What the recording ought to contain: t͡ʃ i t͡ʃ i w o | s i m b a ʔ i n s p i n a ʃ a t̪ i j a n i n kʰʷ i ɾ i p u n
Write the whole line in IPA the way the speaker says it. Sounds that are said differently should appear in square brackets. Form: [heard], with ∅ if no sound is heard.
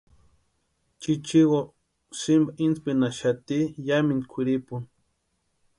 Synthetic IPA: t͡ʃ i t͡ʃ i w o | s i m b a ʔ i n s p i n a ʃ a t̪ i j a [m] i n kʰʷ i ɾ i p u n

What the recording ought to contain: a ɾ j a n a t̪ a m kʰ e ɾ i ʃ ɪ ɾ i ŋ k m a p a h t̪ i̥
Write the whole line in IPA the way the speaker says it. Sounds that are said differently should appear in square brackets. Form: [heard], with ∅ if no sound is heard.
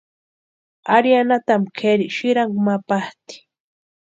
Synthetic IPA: a ɾ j a n a t̪ a m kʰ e ɾ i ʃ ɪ ɾ [a] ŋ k m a p a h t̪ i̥

